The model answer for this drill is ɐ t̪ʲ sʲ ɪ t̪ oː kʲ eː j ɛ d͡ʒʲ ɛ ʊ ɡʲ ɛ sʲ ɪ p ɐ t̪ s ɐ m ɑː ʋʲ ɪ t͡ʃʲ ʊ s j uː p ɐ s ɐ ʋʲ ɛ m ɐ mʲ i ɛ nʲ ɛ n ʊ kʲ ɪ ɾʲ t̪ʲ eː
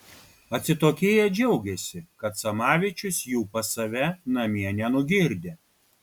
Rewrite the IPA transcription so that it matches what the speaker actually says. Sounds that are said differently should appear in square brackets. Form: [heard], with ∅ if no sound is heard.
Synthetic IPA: ɐ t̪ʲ sʲ ɪ t̪ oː kʲ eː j ɛ d͡ʒʲ ɛ ʊ ɡʲ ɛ sʲ ɪ [k] ɐ t̪ s ɐ m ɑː ʋʲ ɪ t͡ʃʲ ʊ s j uː p ɐ s ɐ ʋʲ ɛ [n] ɐ mʲ i ɛ nʲ ɛ n ʊ [ɡʲ] ɪ ɾʲ [d̪ʲ] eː